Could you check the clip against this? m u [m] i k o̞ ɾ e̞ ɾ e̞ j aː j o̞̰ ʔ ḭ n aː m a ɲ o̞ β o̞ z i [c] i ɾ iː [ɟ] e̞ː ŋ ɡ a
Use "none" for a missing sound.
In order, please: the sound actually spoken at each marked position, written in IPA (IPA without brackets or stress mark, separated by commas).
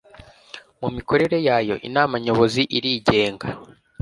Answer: m, ʔ, ɟ